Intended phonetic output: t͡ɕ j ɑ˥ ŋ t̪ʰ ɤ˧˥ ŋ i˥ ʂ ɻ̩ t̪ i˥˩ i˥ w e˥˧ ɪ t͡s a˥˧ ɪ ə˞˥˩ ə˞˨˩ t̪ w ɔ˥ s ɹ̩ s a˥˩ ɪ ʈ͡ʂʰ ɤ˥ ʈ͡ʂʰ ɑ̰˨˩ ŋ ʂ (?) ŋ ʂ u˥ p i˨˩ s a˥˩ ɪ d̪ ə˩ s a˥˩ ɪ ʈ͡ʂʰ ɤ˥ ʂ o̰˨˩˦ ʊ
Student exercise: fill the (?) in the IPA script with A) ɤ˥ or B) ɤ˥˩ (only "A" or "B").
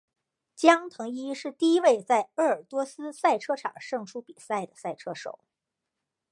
B